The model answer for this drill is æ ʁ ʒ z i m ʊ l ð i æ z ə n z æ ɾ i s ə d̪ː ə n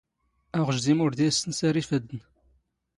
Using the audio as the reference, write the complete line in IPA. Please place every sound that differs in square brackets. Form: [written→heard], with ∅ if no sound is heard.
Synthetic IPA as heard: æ ʁ ʒ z i m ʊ [l→ɾ] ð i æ [z→s] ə n [z→s] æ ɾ i [s→f] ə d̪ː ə n